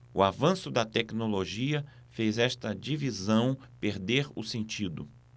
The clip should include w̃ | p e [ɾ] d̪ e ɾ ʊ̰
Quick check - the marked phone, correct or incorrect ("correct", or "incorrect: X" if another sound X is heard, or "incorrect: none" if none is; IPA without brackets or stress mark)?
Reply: correct